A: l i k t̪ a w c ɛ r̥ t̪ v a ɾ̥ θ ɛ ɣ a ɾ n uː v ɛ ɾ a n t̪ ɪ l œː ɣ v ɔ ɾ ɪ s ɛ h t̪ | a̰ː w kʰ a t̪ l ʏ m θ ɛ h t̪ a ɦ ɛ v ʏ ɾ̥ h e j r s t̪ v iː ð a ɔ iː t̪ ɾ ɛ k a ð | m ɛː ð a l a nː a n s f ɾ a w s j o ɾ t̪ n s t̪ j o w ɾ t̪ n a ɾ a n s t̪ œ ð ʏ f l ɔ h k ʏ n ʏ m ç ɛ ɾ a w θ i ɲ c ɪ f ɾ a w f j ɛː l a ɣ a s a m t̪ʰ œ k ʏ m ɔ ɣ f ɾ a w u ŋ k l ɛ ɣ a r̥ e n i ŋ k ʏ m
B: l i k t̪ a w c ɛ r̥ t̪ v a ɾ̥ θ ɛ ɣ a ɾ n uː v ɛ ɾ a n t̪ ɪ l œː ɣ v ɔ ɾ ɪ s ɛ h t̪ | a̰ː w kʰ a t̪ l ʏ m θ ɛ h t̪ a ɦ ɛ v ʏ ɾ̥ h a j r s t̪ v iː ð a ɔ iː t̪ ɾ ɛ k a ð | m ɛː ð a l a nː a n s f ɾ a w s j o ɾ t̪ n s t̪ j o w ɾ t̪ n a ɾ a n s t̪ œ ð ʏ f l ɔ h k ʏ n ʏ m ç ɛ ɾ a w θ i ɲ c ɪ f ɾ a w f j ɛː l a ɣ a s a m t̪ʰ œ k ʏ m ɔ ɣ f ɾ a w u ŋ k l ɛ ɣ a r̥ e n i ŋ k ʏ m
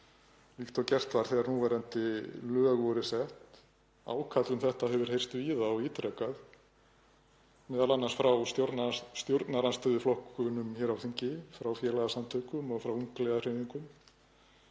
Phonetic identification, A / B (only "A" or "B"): A